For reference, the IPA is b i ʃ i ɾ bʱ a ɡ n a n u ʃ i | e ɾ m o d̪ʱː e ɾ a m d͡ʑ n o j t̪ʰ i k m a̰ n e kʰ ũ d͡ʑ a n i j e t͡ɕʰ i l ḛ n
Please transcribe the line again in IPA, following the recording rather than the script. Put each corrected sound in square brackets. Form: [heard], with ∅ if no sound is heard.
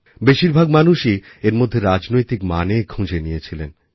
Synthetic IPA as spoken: b [e] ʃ i ɾ bʱ a ɡ [m] a n u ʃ i | e ɾ m o d̪ʱː e ɾ a [∅] d͡ʑ n o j [t̪] i k m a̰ n e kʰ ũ d͡ʑ [e] n i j e t͡ɕʰ i l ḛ n